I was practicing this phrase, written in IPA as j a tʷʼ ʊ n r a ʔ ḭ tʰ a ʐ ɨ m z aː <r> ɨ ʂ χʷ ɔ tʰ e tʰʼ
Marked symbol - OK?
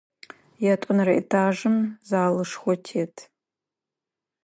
no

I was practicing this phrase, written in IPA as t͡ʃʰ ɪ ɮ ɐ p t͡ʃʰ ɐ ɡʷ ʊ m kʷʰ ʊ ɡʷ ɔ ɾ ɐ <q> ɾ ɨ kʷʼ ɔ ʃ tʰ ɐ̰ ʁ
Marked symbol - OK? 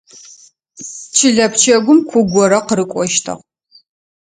yes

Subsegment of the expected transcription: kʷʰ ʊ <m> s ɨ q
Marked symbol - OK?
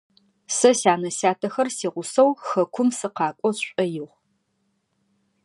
yes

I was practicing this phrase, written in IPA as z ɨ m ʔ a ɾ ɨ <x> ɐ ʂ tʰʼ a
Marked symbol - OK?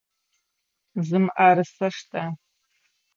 no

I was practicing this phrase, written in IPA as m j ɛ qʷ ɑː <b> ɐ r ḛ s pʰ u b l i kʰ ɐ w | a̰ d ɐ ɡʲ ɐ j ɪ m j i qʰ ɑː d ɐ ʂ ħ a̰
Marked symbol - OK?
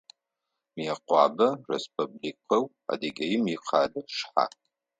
yes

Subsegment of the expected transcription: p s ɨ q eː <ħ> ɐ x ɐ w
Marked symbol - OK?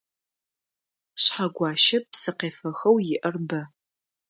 no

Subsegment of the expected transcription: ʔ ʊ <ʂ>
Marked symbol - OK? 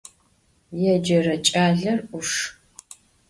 yes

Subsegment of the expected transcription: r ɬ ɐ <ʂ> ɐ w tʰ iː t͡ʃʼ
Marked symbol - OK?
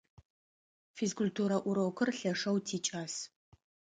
yes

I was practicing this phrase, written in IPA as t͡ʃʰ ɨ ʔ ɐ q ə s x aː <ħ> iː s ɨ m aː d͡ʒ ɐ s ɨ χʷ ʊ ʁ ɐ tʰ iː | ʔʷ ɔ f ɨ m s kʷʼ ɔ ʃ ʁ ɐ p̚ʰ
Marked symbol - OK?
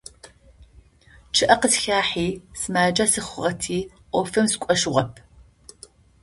yes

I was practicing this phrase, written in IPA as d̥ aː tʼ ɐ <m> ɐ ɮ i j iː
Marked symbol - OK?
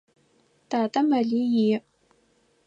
yes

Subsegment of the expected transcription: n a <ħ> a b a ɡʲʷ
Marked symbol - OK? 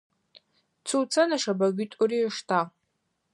no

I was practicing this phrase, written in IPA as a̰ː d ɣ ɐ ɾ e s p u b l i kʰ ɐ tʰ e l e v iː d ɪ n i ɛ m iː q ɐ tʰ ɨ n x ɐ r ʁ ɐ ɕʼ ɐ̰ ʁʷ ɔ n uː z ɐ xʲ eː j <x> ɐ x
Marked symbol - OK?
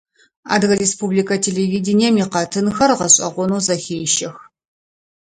no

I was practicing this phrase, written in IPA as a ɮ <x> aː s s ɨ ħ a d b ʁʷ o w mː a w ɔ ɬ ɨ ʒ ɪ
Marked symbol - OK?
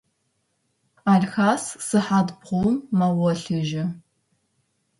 yes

